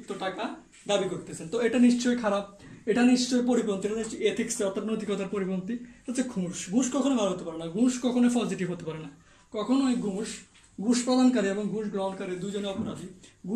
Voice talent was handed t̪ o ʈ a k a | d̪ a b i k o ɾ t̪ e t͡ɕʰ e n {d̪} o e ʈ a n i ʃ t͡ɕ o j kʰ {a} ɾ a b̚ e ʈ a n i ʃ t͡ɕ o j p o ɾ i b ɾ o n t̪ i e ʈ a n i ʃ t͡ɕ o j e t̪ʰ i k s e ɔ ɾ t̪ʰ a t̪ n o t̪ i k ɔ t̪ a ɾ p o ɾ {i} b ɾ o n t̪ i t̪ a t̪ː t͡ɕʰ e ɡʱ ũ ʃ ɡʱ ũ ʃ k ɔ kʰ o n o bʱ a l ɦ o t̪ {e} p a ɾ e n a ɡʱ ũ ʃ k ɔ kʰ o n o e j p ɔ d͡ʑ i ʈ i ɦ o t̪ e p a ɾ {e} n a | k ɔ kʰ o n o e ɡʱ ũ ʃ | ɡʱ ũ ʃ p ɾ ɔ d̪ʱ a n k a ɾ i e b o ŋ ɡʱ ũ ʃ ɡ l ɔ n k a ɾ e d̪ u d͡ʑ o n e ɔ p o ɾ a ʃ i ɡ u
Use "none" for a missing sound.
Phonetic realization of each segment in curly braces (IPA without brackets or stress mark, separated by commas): t̪, a, i, e, e